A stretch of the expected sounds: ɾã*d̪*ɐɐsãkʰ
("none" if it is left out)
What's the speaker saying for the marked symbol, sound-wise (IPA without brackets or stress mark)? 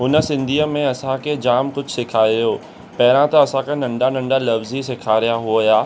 t̪